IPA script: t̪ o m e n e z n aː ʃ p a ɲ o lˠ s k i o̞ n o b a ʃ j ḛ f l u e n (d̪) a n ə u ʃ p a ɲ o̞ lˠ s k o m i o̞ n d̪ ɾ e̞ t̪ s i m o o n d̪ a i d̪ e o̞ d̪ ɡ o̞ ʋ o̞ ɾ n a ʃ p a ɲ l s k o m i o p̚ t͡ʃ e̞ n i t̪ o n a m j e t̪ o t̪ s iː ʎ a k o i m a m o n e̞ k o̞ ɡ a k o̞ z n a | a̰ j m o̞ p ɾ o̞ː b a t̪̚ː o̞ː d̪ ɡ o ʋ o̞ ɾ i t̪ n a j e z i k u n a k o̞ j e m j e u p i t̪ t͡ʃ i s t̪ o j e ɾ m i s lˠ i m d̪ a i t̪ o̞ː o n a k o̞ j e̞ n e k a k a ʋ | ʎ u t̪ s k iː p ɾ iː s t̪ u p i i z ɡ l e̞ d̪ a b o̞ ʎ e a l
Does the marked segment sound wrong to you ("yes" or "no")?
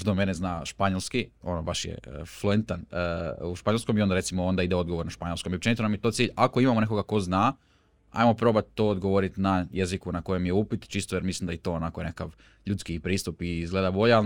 yes